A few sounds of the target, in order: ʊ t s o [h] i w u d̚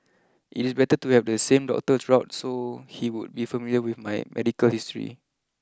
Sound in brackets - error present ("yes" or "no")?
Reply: no